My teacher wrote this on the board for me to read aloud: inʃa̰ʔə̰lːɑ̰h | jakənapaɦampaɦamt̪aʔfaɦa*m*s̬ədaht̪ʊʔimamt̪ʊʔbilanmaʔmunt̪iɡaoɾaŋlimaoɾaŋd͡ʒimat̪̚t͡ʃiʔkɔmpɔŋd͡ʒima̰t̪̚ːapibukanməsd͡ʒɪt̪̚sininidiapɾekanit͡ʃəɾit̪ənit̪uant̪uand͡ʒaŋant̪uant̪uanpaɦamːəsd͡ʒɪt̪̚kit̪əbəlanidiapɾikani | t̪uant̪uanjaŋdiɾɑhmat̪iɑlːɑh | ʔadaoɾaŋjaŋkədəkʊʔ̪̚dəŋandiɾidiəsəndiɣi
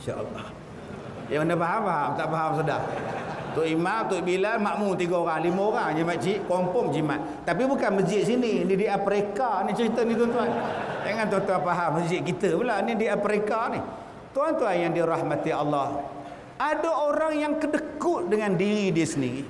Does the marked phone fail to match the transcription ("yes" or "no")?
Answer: no